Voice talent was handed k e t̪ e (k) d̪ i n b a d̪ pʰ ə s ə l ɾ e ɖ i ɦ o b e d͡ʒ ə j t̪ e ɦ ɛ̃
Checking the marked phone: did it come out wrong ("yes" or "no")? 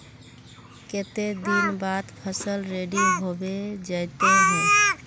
yes